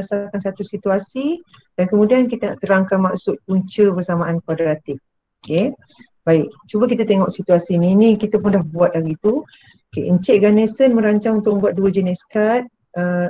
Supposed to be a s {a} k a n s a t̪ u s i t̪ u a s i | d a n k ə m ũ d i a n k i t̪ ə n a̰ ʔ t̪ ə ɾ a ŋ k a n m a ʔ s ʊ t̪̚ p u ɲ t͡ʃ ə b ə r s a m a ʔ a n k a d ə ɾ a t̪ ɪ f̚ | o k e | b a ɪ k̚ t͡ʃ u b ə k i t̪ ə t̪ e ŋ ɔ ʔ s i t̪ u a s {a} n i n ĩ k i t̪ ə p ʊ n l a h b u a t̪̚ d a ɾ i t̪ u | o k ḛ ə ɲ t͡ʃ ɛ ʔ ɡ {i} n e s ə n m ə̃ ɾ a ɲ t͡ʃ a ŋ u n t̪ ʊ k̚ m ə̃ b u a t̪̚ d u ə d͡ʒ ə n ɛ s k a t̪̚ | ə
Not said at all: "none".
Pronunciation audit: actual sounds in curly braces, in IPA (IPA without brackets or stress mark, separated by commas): a, i, a